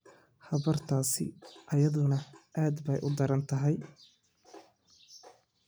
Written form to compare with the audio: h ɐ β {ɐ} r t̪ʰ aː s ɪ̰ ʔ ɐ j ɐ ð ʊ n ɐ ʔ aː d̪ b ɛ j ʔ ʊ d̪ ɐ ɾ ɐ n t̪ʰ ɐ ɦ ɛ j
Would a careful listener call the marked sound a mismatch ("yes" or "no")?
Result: no